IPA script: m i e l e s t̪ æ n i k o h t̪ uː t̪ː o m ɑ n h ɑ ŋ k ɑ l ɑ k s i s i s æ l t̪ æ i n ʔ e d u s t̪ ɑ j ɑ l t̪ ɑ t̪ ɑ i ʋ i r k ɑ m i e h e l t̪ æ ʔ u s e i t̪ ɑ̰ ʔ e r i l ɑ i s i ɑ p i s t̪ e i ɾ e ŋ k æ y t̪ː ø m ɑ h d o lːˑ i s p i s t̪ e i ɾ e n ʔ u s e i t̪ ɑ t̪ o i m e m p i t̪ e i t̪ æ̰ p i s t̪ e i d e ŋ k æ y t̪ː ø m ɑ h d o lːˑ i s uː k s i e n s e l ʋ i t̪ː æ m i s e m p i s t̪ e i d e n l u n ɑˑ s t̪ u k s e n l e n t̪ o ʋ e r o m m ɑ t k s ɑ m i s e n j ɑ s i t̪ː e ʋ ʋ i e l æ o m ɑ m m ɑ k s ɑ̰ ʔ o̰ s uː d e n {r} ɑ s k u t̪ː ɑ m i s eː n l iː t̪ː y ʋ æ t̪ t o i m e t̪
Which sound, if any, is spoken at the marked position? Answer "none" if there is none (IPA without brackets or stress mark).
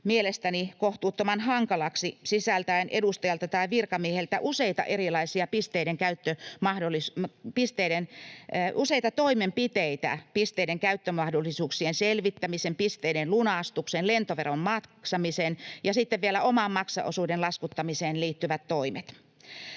l